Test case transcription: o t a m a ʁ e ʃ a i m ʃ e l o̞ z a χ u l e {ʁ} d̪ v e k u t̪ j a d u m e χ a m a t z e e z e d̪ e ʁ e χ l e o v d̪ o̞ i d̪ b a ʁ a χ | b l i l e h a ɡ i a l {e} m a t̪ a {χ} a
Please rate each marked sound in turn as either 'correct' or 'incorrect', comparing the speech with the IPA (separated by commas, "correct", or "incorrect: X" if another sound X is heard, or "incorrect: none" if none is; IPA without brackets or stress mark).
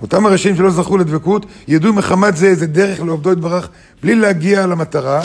incorrect: none, incorrect: a, incorrect: ʁ